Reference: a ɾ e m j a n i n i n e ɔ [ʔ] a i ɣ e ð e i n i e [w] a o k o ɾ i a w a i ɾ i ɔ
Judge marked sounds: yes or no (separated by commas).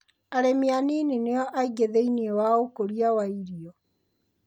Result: yes, yes